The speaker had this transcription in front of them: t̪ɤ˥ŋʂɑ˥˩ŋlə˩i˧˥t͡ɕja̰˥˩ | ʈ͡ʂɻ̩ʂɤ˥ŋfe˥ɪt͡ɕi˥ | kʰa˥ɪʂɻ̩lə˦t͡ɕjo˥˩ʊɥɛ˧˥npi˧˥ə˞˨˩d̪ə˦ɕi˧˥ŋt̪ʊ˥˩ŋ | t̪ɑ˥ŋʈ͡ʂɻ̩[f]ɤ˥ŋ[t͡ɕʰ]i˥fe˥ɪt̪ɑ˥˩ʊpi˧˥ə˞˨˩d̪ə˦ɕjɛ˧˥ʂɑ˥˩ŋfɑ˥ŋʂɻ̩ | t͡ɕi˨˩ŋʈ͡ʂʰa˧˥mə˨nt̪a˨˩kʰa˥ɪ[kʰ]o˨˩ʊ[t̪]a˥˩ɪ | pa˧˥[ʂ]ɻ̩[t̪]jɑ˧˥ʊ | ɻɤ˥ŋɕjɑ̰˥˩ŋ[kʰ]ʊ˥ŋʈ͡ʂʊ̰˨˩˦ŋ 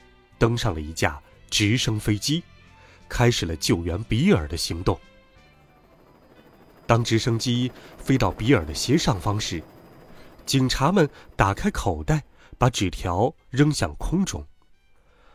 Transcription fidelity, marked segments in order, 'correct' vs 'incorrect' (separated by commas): incorrect, incorrect, correct, correct, incorrect, incorrect, correct